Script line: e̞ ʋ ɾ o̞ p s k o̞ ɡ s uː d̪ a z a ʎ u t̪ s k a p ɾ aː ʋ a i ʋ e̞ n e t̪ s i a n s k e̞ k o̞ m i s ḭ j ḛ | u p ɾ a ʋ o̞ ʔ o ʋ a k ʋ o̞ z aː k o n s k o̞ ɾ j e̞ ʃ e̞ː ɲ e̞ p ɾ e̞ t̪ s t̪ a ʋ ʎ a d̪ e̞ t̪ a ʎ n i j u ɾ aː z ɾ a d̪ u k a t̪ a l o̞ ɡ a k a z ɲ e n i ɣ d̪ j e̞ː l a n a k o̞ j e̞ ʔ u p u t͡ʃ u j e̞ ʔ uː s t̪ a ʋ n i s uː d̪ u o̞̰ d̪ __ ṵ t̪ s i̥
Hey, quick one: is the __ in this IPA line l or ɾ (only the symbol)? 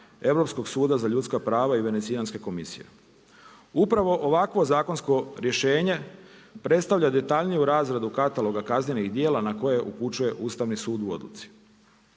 l